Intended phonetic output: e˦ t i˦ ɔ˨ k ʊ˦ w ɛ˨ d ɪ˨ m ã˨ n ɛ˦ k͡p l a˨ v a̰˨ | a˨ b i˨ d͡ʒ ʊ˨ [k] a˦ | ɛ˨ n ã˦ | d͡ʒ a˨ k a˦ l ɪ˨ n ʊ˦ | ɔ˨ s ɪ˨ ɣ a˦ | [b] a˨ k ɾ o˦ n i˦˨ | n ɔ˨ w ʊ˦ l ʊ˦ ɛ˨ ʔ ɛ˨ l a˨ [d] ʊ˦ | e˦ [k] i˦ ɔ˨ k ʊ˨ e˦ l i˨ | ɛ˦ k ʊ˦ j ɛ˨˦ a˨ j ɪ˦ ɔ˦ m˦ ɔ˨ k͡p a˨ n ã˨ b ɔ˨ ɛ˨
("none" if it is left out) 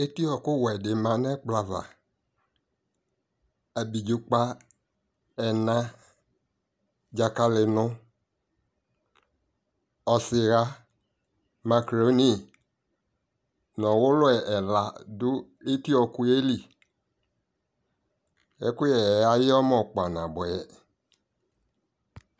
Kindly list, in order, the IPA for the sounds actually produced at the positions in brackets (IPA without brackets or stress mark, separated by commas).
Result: k͡p, m, d, t